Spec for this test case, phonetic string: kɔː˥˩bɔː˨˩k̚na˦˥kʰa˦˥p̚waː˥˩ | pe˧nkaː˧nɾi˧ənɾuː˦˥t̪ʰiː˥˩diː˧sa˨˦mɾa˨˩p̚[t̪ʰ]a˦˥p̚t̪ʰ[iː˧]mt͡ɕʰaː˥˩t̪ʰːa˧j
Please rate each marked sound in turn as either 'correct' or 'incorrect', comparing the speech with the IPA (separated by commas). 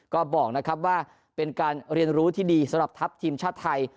correct, correct